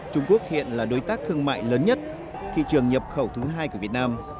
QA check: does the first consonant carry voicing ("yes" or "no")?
no